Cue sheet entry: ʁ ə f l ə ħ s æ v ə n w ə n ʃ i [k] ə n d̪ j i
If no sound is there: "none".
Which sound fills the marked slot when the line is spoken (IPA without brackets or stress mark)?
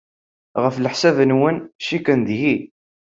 k